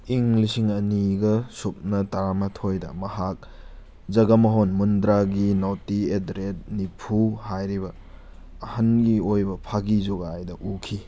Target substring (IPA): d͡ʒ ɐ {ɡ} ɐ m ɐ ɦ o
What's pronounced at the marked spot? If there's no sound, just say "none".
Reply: ɡ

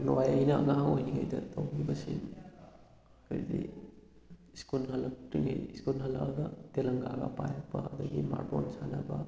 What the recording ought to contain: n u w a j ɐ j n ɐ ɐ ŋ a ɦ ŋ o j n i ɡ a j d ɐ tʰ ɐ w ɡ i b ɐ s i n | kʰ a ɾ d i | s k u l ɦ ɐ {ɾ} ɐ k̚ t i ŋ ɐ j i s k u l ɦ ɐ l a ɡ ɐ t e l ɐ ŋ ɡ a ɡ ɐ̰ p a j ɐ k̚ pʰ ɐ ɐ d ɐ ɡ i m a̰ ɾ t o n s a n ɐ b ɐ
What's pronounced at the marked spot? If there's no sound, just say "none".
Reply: l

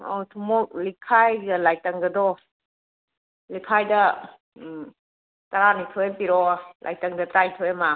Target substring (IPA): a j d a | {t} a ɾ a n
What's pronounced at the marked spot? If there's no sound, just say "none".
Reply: t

